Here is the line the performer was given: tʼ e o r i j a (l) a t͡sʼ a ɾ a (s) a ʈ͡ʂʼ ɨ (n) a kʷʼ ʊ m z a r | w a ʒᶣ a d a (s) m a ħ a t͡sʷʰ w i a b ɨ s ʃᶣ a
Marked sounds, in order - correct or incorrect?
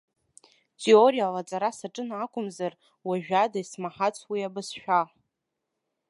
correct, correct, correct, correct

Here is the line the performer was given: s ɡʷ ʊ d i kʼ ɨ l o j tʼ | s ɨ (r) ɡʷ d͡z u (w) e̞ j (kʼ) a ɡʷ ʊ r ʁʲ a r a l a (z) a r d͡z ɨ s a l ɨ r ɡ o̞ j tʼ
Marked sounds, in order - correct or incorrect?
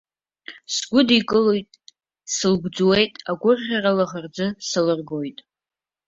incorrect: l, correct, incorrect: tʼ, incorrect: ʁ

